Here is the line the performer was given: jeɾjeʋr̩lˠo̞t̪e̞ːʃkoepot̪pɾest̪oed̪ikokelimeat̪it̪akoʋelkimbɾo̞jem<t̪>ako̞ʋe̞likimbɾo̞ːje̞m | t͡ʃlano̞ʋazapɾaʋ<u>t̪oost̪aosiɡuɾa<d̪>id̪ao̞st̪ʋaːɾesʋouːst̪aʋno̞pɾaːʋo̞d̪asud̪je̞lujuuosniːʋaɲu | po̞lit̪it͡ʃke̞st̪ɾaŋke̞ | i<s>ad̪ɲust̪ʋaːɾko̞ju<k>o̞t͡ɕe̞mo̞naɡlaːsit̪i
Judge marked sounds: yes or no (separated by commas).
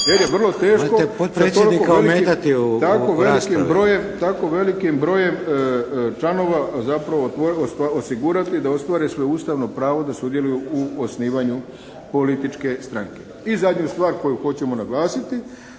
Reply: yes, no, no, no, no